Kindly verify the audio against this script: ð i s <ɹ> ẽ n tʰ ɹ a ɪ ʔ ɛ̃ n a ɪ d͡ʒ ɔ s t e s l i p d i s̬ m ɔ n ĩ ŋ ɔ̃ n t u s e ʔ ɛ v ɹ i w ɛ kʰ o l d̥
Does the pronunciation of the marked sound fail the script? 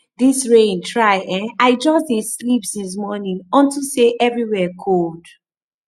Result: no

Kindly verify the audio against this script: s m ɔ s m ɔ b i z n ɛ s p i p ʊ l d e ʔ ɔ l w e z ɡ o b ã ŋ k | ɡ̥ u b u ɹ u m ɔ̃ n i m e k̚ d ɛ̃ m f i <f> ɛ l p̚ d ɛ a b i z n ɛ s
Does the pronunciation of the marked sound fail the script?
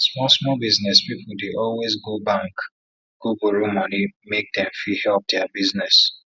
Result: yes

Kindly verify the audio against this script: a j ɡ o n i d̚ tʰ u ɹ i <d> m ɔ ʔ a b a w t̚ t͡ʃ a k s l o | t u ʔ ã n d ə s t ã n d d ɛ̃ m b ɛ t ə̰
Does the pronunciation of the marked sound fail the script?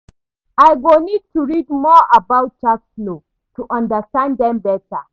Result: no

